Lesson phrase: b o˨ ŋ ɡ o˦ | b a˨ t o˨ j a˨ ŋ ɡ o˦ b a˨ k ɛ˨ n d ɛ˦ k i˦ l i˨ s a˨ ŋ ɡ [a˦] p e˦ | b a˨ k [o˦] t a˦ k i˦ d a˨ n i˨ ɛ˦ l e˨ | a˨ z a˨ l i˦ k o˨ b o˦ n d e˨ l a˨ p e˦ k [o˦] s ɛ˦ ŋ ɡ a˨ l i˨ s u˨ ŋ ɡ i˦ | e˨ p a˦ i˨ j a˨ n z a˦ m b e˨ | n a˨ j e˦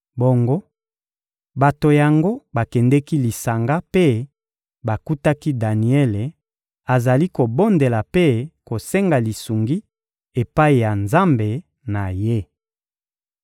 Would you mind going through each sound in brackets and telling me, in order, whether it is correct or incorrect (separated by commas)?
correct, incorrect, incorrect